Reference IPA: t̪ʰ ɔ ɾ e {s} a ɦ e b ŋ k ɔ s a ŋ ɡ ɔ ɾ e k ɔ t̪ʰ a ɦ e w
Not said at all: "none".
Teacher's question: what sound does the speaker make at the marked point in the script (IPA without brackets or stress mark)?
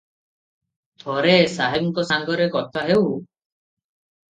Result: s